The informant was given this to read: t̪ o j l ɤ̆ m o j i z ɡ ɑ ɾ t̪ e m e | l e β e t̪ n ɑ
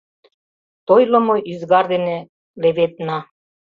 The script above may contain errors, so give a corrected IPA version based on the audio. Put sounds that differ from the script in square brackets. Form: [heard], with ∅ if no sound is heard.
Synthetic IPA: t̪ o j l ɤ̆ m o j i z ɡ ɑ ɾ [d̪] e [n] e | l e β e t̪ n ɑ